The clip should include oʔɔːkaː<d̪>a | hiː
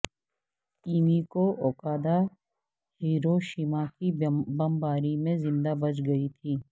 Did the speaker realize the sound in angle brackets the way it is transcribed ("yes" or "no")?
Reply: yes